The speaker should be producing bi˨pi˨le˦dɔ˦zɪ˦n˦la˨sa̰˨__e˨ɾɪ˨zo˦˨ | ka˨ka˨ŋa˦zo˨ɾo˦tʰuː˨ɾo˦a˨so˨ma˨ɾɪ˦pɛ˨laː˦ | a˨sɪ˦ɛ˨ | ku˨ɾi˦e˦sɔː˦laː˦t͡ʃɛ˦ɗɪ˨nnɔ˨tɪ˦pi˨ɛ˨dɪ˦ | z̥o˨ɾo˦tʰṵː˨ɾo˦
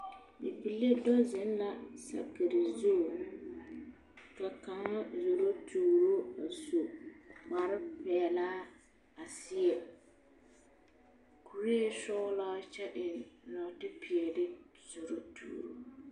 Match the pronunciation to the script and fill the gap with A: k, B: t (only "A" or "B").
A